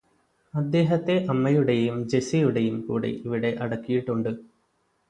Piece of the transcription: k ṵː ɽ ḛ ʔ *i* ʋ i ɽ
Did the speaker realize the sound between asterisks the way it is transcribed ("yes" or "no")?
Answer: yes